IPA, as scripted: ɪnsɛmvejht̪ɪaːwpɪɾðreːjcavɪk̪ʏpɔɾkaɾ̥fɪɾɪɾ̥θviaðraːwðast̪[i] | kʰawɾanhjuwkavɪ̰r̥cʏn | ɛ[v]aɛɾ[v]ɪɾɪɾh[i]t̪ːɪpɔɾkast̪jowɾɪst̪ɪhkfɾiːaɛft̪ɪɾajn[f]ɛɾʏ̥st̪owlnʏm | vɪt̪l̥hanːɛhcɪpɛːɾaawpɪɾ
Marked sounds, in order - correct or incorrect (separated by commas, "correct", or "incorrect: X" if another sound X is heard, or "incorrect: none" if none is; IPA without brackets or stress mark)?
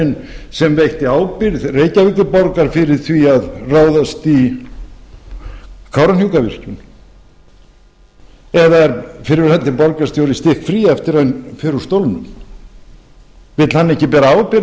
correct, incorrect: ð, incorrect: f, incorrect: ɛ, correct